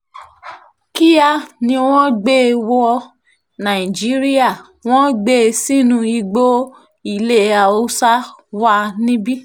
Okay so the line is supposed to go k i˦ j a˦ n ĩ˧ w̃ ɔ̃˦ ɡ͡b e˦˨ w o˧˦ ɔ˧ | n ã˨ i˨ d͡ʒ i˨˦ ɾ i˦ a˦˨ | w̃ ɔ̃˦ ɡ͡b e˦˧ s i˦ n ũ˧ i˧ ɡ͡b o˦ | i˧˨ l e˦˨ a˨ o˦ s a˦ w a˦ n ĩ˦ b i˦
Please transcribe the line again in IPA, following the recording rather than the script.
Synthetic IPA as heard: k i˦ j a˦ n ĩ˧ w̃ ɔ̃˦ ɡ͡b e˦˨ w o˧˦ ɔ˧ | n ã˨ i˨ d͡ʒ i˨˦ ɾ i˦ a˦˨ | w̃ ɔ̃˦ ɡ͡b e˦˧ s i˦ n ũ˧ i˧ ɡ͡b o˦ | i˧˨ l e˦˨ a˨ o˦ s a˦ w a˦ n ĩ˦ b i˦